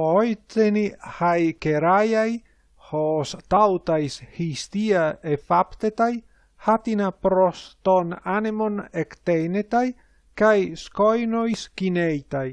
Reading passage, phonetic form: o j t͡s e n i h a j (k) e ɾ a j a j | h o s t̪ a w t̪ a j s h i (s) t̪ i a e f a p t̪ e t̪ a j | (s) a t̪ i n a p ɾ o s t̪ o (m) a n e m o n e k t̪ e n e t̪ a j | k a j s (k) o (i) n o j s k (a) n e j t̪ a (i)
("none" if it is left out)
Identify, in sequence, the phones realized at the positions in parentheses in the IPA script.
k, s, h, n, k, j, i, j

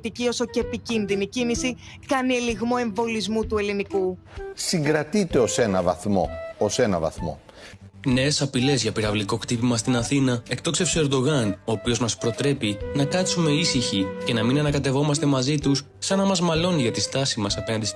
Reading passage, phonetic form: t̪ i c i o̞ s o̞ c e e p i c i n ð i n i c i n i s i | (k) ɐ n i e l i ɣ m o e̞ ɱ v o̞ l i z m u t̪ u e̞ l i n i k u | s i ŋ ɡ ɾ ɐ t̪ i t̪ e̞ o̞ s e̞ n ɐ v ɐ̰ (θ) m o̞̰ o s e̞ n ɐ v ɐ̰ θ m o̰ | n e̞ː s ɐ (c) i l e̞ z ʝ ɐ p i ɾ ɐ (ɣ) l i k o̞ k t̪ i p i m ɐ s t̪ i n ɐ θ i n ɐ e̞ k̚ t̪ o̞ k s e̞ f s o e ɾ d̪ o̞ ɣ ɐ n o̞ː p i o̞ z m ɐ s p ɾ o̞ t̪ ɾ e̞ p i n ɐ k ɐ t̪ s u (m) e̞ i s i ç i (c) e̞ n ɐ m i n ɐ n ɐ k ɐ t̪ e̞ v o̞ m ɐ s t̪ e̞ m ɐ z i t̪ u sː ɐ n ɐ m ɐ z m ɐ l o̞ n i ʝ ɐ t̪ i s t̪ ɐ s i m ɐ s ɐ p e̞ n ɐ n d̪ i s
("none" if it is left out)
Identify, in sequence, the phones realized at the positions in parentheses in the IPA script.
k, θ, p, v, m, c

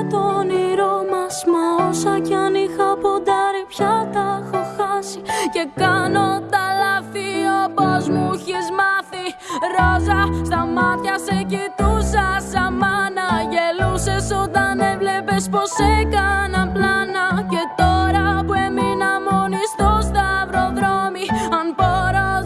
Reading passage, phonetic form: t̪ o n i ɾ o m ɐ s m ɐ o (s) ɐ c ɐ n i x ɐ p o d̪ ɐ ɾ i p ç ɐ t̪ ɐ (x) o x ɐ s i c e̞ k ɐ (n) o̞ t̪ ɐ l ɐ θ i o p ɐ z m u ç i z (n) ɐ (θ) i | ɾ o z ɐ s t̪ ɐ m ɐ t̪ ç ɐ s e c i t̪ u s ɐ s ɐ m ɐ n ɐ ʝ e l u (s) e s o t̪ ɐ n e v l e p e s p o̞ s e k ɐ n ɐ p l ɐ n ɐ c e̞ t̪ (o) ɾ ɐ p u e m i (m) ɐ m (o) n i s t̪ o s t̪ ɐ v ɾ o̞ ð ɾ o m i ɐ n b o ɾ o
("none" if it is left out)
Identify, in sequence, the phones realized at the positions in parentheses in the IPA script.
s, x, n, m, θ, s, o, n, o

